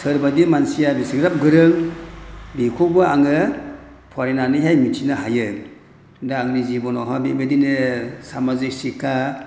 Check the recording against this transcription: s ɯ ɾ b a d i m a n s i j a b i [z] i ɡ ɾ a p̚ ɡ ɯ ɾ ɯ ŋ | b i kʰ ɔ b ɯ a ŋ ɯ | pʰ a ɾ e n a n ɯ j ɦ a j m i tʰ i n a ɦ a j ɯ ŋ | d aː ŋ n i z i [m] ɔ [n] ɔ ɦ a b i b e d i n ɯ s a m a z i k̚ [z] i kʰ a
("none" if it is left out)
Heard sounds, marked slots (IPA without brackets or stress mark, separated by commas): s, b, n, s